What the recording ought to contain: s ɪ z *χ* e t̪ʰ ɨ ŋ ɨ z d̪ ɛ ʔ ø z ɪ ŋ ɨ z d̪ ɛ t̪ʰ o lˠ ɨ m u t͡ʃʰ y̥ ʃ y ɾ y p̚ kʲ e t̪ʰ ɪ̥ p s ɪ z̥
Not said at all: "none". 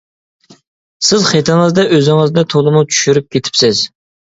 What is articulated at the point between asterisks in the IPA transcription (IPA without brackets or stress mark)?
χ